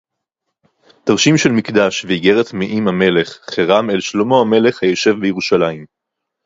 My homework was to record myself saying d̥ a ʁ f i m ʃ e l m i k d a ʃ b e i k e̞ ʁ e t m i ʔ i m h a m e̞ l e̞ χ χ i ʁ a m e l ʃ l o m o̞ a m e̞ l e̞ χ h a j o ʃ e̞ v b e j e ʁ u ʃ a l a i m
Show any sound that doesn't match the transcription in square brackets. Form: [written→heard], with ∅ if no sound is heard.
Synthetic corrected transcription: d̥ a ʁ [f→ʃ] i m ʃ e l m i k d a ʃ [b→v] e i [k→ɡ] e̞ ʁ e t m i ʔ i m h a m e̞ l e̞ χ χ [i→e] ʁ a m e l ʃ l o m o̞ a m e̞ l e̞ χ h a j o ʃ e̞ v b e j e ʁ u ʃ a l a i m